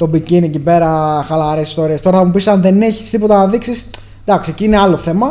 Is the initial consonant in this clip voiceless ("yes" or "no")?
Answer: yes